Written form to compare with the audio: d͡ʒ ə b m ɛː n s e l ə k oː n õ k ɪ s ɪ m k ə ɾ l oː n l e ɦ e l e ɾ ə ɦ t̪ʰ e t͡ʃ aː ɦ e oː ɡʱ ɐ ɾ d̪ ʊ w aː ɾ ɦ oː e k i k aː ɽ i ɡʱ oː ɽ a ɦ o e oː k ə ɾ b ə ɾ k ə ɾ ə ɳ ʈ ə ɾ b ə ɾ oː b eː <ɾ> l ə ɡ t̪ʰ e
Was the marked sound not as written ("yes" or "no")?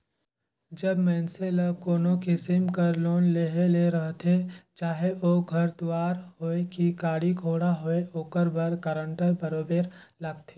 no